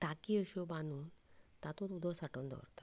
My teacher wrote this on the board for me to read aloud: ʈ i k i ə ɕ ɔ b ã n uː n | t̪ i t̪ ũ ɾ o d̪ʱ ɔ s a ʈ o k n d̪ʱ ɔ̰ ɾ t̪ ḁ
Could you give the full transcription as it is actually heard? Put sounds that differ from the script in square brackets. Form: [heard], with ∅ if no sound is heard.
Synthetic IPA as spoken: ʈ [a] k i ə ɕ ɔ b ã n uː n | t̪ [a] t̪ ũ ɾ [u] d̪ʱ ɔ s a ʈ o [∅] n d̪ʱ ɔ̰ ɾ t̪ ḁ